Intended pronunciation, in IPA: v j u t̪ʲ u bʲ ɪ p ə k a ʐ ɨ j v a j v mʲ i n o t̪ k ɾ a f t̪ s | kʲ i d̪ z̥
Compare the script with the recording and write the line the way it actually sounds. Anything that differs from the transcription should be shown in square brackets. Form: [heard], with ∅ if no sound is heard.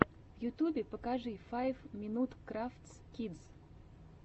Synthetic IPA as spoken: v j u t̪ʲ u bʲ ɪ p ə k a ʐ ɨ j [f] a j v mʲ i n [u] t̪ k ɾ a f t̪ s | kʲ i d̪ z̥